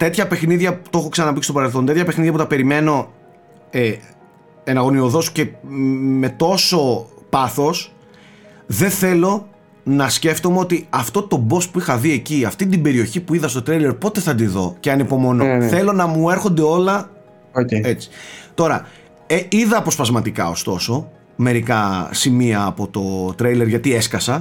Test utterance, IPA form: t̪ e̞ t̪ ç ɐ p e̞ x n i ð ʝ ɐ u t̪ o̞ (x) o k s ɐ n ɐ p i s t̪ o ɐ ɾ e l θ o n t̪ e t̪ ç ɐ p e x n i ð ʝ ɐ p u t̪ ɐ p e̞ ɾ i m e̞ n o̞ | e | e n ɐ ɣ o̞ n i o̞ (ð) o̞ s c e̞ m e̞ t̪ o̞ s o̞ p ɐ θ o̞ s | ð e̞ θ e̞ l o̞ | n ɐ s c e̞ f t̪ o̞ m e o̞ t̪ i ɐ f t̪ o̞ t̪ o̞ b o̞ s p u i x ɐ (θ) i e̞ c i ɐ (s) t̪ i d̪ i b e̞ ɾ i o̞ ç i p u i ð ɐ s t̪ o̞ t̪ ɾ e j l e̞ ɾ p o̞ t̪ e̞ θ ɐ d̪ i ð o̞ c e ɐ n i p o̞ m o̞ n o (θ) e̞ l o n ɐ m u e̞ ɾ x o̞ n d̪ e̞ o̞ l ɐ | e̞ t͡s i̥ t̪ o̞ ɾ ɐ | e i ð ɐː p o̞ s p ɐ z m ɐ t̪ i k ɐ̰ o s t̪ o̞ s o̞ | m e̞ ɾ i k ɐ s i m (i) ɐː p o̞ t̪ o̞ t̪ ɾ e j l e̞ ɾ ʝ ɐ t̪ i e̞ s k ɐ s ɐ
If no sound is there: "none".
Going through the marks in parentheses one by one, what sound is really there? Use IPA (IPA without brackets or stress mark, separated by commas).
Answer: x, ð, ð, f, θ, i